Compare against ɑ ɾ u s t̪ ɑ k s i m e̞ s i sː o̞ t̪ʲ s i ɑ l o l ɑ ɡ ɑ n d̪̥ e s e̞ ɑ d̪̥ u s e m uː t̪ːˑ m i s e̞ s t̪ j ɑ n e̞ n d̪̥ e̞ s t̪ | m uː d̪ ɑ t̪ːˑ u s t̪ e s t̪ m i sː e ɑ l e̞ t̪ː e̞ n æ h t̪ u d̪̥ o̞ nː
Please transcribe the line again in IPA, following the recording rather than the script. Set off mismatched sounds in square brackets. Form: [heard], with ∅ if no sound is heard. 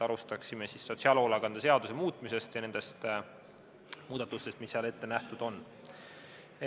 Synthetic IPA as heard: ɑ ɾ u s t̪ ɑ k s i m e̞ s i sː o̞ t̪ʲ s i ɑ l o l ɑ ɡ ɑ n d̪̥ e s e̞ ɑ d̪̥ u s e m uː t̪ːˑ m i s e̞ s t̪ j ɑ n e̞ n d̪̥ e̞ s t̪ | m uː d̪ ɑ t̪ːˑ u s t̪ e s t̪ m i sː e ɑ l e̞ t̪ː e̞ n æ h t̪ u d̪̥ o̞ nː